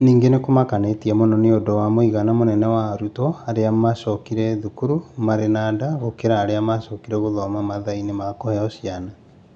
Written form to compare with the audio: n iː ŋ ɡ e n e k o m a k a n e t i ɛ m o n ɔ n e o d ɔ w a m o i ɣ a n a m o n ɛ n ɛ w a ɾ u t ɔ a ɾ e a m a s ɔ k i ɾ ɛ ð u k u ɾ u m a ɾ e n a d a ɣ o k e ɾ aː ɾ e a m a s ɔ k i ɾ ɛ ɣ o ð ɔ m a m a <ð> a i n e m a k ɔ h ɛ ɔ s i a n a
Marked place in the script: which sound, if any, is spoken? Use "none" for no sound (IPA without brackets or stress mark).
ð